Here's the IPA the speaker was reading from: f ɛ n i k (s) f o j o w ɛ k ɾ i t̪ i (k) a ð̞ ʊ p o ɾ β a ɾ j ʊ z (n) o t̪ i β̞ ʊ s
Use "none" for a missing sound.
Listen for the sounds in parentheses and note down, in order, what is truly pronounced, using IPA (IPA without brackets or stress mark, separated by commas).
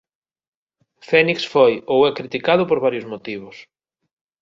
s, k, m